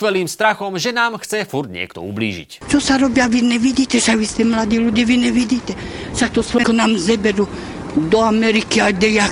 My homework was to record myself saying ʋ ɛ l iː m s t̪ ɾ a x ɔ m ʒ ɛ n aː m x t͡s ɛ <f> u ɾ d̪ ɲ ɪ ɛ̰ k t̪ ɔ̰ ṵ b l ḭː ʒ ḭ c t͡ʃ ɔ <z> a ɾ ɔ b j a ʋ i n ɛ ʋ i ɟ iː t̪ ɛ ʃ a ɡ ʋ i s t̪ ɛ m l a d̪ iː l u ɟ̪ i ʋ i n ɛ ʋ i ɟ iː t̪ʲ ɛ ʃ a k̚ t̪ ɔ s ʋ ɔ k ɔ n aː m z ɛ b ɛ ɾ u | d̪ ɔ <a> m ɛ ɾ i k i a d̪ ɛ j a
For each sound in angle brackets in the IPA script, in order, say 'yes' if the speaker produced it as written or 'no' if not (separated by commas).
yes, no, yes